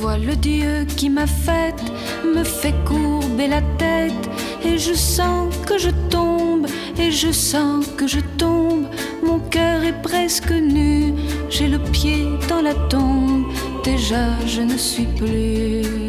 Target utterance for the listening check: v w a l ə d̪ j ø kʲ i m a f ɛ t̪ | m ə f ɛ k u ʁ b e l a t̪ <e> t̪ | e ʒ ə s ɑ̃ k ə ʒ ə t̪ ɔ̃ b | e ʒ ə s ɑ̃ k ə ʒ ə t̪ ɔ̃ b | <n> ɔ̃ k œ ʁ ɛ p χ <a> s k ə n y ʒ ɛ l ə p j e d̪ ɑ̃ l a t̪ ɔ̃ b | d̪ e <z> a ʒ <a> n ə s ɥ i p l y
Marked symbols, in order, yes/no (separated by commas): no, no, no, no, no